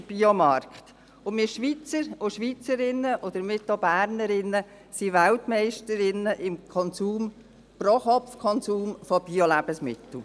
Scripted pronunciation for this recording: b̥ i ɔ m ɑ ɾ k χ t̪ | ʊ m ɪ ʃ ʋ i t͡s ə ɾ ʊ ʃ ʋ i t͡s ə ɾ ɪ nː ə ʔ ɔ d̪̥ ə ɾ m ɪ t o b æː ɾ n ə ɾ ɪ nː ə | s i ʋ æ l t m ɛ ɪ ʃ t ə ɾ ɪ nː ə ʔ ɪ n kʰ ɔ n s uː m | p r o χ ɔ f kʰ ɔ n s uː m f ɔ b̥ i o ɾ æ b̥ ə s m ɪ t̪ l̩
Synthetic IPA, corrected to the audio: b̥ i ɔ m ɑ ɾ k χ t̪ | ʊ m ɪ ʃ ʋ i t͡s ə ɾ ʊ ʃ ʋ i t͡s ə ɾ ɪ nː ə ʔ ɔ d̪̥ ə ɾ m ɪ t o b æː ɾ n ə ɾ ɪ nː ə | s i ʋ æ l t m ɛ ɪ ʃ t ə ɾ ɪ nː ə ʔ ɪ m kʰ ɔ n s uː m | p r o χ ɔ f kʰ ɔ n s uː m f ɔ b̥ i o l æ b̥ ə s m ɪ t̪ l̩